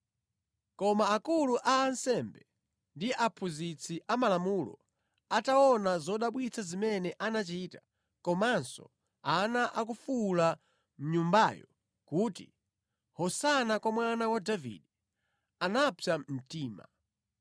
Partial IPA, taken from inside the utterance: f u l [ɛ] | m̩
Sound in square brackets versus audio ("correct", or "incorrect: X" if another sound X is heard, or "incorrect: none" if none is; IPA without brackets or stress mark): incorrect: a